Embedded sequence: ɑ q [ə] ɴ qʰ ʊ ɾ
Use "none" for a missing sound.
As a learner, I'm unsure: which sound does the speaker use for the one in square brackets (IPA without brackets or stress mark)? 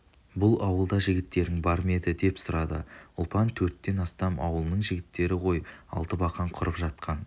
ɑ